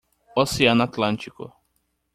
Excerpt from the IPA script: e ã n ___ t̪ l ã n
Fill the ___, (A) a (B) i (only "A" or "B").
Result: A